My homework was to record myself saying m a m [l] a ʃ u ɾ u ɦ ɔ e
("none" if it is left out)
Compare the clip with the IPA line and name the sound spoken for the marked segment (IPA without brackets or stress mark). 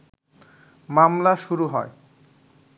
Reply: l